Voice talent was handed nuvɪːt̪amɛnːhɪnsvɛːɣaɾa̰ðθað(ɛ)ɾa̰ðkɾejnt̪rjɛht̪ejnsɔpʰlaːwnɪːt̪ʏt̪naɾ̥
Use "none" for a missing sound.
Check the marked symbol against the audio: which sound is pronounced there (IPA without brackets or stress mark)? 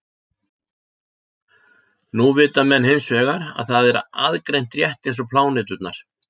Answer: ɛ